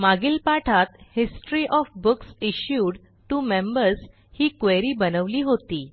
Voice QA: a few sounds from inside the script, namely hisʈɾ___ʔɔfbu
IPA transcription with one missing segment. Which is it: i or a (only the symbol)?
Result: i